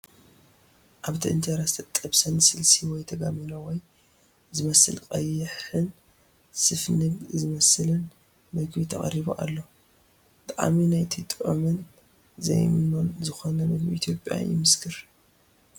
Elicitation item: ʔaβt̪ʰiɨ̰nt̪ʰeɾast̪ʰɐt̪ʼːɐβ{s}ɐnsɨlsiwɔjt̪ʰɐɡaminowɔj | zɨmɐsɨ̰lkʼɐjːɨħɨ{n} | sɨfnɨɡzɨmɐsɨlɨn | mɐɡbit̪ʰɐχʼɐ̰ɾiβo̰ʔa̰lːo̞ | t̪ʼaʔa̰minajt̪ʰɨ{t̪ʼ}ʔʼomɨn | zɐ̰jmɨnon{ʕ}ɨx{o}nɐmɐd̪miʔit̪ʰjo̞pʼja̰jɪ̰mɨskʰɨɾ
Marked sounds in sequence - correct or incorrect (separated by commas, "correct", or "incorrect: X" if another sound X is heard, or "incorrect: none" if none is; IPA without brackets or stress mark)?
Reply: correct, correct, correct, incorrect: z, correct